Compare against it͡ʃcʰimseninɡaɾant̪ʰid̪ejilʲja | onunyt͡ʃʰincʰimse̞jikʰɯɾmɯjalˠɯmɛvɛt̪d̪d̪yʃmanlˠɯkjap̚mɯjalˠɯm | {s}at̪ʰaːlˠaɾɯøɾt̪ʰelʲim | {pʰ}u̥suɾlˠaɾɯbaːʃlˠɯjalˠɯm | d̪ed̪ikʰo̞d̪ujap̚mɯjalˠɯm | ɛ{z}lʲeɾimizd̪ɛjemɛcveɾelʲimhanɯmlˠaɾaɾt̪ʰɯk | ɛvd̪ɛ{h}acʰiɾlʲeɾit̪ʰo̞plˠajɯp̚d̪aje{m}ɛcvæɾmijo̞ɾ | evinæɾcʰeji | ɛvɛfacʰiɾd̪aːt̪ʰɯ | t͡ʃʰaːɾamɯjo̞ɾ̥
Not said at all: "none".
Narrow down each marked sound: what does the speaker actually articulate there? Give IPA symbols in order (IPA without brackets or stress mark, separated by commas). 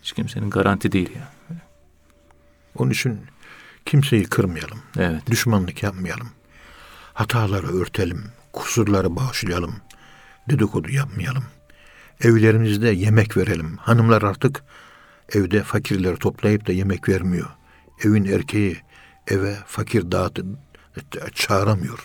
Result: h, kʰ, v, f, m